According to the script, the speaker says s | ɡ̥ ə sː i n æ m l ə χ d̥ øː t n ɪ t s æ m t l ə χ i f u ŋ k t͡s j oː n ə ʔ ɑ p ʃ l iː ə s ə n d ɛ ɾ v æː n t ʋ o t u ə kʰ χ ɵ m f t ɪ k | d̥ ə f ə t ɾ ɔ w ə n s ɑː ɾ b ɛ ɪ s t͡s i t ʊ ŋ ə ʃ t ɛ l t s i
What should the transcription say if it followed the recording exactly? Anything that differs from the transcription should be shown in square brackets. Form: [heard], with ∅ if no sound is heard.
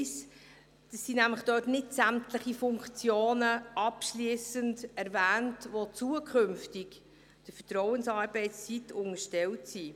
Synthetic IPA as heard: s | [d̥] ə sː i n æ m l ə χ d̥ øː t n ɪ t s æ m t l ə χ i f [ʊ] ŋ k t͡s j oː n ə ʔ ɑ p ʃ l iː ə s ə n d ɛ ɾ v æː n t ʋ o [t͡s] u ə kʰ χ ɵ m f t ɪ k | d̥ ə f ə t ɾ ɔ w ə n s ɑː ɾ b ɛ ɪ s t͡s i t ʊ ŋ ə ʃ t ɛ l t s i